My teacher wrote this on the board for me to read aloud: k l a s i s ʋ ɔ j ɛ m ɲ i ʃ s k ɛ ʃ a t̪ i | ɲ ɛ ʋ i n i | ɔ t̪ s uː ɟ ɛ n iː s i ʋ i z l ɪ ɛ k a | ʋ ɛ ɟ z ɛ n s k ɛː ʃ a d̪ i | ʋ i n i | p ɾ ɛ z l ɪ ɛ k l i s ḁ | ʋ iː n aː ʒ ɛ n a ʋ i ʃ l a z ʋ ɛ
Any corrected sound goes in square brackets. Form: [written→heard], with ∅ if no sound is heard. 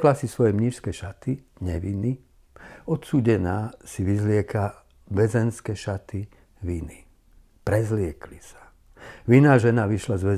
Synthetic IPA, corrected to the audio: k l a s i s ʋ ɔ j ɛ m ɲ i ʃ s k ɛ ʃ a t̪ i | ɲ ɛ ʋ i n i | ɔ t̪ s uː ɟ ɛ n [iː→aː] s i ʋ i z l ɪ ɛ k a | ʋ ɛ [ɟ→∅] z ɛ n s k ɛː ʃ a [d̪→t̪] i | ʋ i n i | p ɾ ɛ z l ɪ ɛ k l i s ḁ | ʋ [iː→i] n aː ʒ ɛ n a ʋ i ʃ l a z ʋ ɛ